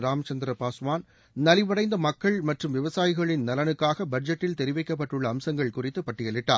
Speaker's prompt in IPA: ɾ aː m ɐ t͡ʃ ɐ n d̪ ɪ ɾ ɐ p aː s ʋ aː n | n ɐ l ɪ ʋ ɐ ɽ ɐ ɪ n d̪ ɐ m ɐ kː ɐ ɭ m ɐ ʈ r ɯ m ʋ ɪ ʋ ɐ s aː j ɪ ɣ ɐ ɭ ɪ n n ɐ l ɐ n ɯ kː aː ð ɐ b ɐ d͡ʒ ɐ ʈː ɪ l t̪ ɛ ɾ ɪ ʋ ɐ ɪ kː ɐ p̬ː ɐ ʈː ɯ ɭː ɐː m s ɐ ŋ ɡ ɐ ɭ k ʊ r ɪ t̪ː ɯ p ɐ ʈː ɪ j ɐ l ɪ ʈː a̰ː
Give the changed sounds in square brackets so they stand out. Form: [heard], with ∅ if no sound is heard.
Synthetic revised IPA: ɾ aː m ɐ t͡ʃ ɐ n d̪ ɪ ɾ ɐ p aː s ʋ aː n | n ɐ l ɪ ʋ ɐ ɽ ɐ ɪ n d̪ ɐ m ɐ kː ɐ ɭ m ɐ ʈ r ɯ m ʋ ɪ ʋ ɐ s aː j ɪ ɣ ɐ ɭ ɪ n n ɐ l ɐ n ɯ kː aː [ɣ] ɐ b ɐ d͡ʒ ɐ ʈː ɪ l t̪ ɛ ɾ ɪ ʋ ɐ ɪ kː ɐ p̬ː ɐ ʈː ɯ ɭː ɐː m s ɐ ŋ ɡ ɐ ɭ k ʊ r ɪ t̪ː ɯ p ɐ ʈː ɪ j ɐ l ɪ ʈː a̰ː